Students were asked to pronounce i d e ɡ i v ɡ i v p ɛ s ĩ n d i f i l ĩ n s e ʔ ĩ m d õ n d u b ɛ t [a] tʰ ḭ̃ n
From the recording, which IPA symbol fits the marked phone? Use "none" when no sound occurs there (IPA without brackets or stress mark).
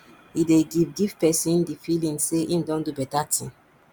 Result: a